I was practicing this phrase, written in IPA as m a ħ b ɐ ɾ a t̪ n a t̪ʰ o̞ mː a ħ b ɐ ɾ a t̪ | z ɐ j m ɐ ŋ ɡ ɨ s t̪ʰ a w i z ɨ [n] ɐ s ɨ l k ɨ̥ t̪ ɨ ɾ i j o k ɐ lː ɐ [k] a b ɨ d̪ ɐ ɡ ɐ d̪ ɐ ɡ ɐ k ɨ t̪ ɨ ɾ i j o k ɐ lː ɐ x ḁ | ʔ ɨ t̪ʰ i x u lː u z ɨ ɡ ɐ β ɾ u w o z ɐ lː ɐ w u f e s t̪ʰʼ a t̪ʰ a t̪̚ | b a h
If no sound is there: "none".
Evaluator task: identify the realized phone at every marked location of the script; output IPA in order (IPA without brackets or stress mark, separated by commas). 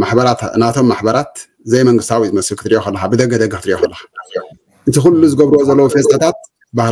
m, x